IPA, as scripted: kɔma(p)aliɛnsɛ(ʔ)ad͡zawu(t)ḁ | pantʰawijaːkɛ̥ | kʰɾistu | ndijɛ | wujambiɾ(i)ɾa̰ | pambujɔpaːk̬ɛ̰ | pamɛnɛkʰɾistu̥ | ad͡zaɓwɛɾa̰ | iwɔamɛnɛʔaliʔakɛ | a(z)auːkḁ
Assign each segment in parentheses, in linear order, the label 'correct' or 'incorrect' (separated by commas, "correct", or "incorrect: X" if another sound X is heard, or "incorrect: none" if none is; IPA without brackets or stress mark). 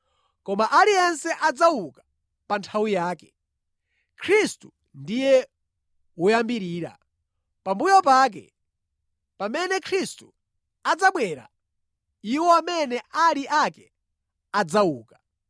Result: incorrect: ʔ, correct, incorrect: k, incorrect: iː, incorrect: d͡z